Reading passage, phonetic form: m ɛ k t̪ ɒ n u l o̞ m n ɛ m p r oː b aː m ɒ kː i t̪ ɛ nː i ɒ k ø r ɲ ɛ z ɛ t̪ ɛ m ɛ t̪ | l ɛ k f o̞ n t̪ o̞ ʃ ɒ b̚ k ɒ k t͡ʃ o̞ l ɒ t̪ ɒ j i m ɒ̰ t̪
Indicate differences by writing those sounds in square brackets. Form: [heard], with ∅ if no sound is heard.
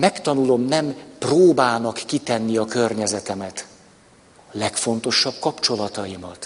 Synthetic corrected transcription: m ɛ k t̪ ɒ n u l o̞ m n ɛ m p r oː b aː [n] ɒ kː i t̪ ɛ nː i ɒ k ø r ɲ ɛ z ɛ t̪ ɛ m ɛ t̪ | l ɛ k f o̞ n t̪ o̞ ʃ ɒ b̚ k ɒ [p] t͡ʃ o̞ l ɒ t̪ ɒ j i m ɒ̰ t̪